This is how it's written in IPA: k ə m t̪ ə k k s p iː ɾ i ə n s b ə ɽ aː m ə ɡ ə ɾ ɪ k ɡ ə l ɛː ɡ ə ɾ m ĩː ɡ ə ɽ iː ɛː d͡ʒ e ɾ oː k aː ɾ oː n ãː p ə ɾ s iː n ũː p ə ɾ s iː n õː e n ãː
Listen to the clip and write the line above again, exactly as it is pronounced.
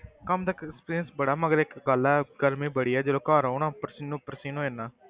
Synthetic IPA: k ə m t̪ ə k k s p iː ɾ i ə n s b ə ɽ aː m ə ɡ ə ɾ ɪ k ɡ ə l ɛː ɡ ə ɾ m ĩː b ə ɽ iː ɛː d͡ʒ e l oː k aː ɾ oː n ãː p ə ɾ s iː n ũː p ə ɾ s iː n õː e n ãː